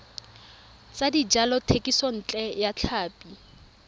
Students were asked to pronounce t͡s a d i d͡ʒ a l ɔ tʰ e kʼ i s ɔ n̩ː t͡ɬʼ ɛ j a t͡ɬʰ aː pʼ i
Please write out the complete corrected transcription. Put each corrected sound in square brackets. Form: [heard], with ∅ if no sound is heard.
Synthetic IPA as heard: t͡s a d i d͡ʒ a l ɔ tʰ e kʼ i s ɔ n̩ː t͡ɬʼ ɛ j a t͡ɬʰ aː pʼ i